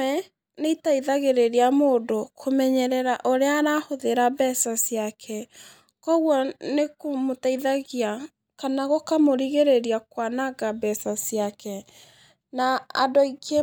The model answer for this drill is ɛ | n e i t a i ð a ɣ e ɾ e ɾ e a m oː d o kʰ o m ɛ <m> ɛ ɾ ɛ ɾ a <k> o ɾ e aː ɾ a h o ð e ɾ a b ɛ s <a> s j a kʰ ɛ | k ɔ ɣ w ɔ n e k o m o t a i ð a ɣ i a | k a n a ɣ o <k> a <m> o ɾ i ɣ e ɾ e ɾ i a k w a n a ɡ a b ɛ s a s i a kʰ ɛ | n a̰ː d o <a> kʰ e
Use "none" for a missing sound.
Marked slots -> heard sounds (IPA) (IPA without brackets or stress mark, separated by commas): ɲ, ʔ, a, k, m, i